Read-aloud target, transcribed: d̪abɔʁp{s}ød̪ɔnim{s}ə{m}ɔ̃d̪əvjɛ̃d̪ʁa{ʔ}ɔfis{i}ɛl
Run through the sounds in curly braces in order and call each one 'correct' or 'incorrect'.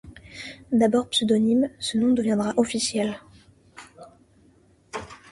correct, correct, incorrect: n, correct, incorrect: j

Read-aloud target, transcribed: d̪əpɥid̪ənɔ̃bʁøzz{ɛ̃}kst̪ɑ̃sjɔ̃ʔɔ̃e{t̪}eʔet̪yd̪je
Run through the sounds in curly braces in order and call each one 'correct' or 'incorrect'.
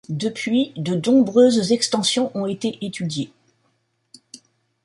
incorrect: ɛ, correct

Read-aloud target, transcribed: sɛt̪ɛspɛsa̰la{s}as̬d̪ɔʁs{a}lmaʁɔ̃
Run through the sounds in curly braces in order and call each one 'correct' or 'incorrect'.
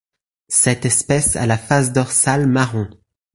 incorrect: f, correct

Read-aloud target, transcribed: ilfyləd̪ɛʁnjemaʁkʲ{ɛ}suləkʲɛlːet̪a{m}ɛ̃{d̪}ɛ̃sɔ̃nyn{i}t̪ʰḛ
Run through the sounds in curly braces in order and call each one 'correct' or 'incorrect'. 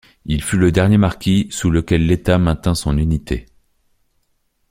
incorrect: i, correct, incorrect: t̪, correct

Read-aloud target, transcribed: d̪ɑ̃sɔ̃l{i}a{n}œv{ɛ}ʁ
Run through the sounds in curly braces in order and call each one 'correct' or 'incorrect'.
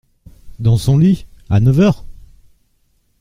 correct, correct, incorrect: œ

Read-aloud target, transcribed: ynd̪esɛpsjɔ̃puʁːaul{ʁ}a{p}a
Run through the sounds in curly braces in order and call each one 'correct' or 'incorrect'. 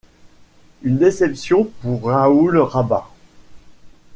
correct, incorrect: b

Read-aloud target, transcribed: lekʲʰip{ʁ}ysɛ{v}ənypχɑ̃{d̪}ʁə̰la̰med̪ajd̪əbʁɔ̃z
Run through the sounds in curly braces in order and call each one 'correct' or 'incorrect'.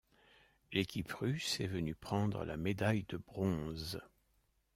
correct, correct, correct

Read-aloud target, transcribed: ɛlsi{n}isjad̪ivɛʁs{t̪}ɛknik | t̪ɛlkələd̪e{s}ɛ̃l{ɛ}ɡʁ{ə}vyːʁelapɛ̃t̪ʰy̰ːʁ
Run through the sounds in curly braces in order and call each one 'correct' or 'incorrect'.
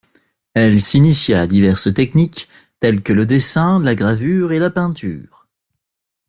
correct, correct, correct, incorrect: a, incorrect: a

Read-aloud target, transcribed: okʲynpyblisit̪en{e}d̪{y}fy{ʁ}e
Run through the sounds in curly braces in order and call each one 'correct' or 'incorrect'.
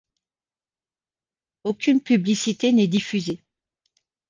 incorrect: ɛ, incorrect: i, incorrect: z

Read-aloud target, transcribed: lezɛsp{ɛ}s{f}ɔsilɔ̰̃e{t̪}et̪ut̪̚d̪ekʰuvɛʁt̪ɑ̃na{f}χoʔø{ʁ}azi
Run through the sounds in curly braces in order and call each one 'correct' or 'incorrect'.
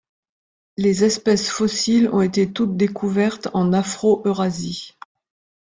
correct, correct, correct, correct, correct

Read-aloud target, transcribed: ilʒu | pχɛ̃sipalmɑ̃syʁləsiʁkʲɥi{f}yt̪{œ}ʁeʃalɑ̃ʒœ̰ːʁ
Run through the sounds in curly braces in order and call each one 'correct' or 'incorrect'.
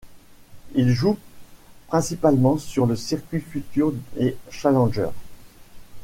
correct, incorrect: y

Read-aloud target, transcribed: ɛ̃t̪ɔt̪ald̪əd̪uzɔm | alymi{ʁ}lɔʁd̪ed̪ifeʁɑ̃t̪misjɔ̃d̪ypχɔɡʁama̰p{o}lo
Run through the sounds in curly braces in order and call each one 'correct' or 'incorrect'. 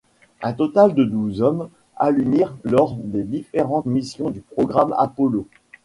correct, incorrect: ɔ

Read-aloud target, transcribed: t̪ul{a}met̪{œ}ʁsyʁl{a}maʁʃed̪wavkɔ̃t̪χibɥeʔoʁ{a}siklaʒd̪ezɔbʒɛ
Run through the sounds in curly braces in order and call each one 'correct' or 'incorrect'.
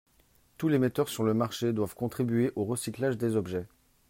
incorrect: e, correct, incorrect: ə, incorrect: ə

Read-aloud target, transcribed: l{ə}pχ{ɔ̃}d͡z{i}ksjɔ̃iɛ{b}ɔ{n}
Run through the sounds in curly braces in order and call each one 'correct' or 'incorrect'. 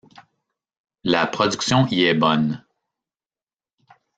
incorrect: a, incorrect: ɔ, incorrect: y, correct, correct

